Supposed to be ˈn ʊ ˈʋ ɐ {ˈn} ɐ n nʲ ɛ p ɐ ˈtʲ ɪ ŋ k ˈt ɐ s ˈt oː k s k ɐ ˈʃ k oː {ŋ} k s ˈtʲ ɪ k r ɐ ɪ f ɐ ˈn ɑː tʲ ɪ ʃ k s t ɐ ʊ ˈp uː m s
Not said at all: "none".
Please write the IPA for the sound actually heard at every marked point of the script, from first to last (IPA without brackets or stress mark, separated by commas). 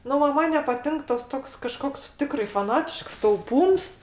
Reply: m, none